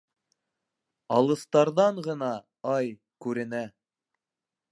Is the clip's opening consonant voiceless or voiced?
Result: voiced